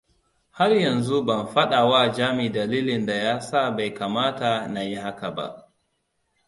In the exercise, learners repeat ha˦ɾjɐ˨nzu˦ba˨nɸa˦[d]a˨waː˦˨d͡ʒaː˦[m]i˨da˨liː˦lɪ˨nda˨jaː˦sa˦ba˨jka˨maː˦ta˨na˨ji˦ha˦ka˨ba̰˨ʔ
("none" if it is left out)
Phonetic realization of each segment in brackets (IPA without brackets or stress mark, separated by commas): ɗ, m